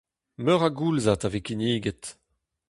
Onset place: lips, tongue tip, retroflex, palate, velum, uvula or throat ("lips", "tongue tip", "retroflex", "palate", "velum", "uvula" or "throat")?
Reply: lips